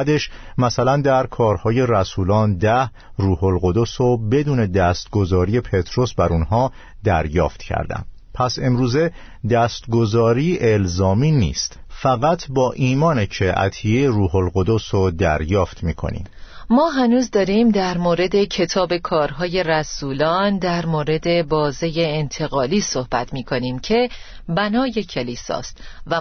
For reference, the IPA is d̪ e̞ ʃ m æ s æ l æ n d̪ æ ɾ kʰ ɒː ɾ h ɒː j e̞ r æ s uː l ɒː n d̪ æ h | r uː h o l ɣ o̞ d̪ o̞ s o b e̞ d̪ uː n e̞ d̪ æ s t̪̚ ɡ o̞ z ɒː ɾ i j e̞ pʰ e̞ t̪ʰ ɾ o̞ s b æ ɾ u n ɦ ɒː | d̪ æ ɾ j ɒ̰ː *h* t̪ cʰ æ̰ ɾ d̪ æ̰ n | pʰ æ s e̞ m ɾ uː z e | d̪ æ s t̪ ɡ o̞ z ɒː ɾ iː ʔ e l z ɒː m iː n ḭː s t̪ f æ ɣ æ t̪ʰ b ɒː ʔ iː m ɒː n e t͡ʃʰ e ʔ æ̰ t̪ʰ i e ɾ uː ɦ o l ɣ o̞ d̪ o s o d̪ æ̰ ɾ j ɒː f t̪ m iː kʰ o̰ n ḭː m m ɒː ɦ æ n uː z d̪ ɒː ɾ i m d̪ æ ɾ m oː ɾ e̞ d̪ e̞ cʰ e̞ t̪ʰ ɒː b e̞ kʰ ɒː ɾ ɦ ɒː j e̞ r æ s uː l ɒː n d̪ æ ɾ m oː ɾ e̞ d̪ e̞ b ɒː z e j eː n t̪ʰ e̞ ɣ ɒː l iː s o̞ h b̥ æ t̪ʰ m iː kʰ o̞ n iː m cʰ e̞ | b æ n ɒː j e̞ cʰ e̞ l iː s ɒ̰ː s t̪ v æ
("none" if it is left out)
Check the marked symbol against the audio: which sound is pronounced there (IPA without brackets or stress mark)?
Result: f